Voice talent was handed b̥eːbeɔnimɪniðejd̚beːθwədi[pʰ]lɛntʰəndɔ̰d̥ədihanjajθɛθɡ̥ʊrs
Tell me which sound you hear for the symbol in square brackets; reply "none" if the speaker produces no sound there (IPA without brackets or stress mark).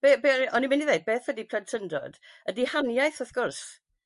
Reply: pʰ